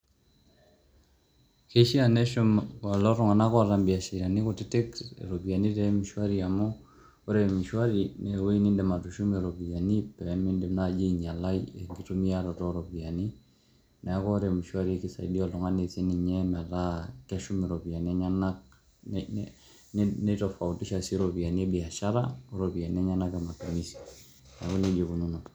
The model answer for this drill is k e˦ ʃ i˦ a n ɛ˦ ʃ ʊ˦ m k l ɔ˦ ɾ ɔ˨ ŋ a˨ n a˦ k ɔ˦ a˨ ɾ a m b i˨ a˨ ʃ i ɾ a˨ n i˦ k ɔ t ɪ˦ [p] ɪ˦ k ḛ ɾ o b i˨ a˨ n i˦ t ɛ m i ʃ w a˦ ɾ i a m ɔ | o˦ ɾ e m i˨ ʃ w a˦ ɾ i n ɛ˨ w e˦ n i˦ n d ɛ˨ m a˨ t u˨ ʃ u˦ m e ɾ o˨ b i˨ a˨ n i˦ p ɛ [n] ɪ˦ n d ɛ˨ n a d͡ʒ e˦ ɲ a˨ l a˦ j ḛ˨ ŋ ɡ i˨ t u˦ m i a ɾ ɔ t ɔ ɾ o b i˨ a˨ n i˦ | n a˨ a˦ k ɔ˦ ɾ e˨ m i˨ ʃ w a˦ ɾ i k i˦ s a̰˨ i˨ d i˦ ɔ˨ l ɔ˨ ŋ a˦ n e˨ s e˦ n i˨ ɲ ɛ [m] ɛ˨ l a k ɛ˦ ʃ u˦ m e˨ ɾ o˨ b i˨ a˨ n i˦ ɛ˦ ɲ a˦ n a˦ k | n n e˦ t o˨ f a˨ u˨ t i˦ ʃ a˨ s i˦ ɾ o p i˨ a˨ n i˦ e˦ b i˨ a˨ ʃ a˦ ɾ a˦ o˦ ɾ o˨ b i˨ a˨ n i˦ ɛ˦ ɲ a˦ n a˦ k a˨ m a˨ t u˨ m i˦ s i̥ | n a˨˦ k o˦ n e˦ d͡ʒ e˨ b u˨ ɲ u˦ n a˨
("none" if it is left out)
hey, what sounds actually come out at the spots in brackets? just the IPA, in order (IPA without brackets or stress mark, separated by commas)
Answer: t, m, m